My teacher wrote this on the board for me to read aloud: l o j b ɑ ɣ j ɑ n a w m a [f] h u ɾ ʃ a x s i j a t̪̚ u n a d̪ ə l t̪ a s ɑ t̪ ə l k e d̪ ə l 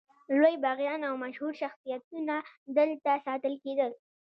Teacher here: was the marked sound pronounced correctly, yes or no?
no